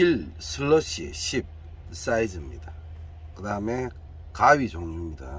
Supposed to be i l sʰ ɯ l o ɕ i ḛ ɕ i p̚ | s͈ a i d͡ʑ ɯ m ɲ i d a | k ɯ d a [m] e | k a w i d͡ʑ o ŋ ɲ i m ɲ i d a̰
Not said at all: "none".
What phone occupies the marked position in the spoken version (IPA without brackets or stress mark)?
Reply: m